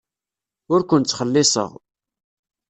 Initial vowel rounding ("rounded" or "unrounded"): rounded